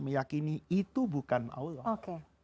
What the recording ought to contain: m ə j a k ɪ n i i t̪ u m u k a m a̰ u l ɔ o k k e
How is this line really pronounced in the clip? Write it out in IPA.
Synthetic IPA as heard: m ə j a k i n i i t̪ u b u k a n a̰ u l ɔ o k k e